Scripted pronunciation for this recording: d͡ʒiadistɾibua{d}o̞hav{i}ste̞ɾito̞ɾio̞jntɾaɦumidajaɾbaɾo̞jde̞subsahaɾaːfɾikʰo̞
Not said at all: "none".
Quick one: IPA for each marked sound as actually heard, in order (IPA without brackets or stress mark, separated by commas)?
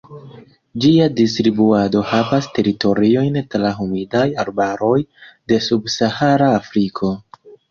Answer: d, a